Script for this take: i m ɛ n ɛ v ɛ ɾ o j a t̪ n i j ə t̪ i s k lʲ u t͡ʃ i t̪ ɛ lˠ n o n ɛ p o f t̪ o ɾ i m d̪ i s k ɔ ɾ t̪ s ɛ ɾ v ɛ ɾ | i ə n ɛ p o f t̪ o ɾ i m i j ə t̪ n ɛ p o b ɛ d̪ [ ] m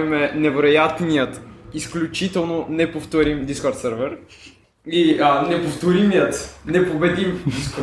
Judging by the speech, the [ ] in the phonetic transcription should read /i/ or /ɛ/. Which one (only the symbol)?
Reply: i